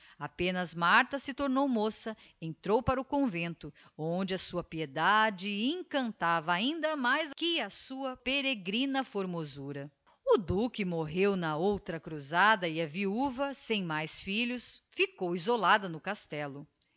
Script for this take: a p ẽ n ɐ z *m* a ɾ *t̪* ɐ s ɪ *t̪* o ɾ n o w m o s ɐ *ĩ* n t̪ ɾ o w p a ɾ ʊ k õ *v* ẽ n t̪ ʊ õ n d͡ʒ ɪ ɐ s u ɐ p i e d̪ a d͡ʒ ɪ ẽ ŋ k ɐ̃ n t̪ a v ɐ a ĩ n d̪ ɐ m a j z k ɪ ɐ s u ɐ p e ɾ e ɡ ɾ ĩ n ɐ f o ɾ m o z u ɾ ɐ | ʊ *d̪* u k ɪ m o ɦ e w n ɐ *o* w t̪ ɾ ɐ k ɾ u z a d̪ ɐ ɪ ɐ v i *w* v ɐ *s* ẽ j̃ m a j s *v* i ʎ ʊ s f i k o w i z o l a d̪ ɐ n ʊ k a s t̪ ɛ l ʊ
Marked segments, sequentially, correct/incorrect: correct, correct, correct, incorrect, correct, correct, correct, incorrect, correct, incorrect

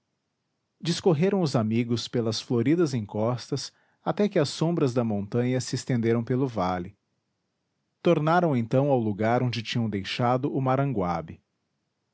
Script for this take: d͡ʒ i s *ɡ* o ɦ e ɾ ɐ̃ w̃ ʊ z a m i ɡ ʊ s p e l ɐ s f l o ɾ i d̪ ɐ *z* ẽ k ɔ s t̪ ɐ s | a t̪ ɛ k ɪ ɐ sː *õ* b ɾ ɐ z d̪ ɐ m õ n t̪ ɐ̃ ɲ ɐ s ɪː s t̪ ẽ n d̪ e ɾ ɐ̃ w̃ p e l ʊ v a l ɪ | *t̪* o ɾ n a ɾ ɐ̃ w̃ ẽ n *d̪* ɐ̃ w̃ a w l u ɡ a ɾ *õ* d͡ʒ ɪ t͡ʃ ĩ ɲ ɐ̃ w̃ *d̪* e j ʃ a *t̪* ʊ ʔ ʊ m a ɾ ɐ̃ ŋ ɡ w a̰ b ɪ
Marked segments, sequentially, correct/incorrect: incorrect, correct, correct, correct, incorrect, correct, correct, incorrect

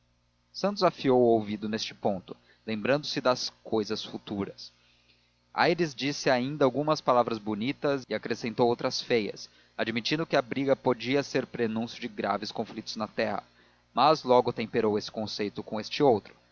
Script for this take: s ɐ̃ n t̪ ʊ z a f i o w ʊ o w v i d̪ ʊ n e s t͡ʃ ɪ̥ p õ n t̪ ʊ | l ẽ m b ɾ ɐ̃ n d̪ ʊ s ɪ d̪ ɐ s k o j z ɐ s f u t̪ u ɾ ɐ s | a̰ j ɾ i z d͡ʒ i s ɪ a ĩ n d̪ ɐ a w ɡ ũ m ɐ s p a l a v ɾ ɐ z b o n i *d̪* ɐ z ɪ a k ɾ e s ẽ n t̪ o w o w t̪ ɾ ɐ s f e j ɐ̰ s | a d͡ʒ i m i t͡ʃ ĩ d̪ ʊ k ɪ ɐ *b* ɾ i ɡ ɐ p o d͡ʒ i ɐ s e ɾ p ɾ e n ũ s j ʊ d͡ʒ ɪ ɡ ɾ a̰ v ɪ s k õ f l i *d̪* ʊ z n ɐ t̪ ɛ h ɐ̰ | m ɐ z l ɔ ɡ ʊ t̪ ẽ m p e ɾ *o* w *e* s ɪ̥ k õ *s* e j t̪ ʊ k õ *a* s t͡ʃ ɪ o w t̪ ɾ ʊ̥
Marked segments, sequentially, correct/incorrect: incorrect, correct, incorrect, correct, correct, correct, incorrect

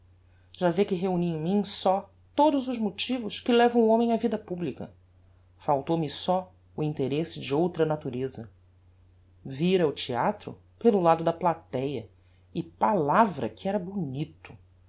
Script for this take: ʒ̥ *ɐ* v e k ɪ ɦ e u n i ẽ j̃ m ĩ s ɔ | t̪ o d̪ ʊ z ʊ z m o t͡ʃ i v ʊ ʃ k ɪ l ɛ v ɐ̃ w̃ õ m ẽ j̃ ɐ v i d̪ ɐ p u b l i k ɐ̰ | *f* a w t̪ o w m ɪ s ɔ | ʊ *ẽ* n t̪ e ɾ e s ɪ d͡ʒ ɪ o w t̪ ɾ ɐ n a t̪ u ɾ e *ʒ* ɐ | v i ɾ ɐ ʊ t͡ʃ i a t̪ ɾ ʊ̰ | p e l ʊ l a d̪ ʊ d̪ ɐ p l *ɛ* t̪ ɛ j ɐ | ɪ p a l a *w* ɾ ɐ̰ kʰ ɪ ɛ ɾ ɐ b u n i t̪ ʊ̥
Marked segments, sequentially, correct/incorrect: incorrect, correct, incorrect, incorrect, incorrect, incorrect

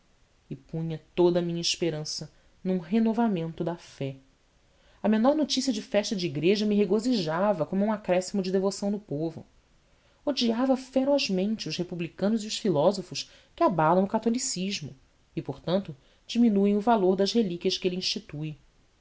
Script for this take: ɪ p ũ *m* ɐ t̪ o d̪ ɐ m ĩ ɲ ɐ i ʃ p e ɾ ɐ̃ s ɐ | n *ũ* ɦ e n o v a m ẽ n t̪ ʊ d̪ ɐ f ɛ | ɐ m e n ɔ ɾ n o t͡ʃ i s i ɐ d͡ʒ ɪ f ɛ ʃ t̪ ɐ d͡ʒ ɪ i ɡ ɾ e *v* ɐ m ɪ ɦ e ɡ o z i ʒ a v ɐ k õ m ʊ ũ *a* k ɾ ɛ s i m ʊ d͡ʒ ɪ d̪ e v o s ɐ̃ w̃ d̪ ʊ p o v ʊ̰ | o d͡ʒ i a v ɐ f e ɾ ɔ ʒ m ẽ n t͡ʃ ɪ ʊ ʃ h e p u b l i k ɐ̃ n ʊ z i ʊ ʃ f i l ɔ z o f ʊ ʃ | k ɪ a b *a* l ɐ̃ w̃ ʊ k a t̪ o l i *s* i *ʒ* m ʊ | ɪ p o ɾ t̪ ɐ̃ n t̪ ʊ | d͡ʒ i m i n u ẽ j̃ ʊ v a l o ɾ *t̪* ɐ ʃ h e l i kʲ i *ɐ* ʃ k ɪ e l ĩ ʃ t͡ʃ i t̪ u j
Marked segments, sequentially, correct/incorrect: incorrect, correct, incorrect, correct, correct, correct, correct, incorrect, correct

